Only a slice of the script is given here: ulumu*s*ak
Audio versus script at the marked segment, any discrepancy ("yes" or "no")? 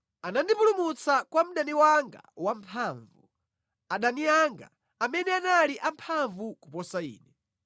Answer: yes